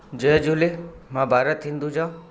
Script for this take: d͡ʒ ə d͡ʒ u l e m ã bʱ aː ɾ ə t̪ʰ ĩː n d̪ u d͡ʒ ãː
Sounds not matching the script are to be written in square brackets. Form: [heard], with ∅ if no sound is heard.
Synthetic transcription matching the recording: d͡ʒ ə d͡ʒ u l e m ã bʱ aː ɾ ə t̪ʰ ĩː n d̪ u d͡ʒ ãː